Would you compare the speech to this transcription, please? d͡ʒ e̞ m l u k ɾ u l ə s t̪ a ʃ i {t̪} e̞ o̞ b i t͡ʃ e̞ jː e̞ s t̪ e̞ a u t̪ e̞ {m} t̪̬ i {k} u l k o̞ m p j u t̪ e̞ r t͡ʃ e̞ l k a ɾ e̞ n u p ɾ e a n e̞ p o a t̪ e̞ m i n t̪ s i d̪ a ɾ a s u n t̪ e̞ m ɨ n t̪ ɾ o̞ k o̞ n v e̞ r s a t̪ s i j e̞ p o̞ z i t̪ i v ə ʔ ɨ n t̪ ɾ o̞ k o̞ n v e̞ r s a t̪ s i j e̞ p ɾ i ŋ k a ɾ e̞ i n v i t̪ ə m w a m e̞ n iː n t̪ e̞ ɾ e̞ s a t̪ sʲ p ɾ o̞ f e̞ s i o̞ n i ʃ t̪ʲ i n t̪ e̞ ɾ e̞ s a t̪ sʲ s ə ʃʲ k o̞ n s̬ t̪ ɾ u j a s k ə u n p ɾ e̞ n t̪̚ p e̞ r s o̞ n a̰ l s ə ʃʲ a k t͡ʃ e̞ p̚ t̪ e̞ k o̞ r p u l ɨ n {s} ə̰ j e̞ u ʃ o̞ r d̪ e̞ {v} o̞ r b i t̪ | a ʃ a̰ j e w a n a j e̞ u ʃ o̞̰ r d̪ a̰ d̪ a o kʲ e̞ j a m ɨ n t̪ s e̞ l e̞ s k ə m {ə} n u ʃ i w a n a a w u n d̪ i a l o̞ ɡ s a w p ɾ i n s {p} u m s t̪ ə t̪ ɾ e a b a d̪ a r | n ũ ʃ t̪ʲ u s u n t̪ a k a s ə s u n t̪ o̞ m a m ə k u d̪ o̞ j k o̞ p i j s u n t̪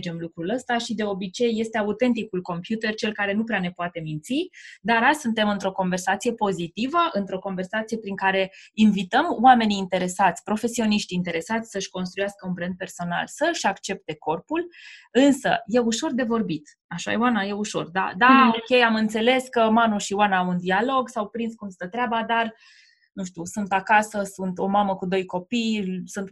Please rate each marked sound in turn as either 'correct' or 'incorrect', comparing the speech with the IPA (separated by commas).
incorrect, incorrect, correct, correct, correct, incorrect, incorrect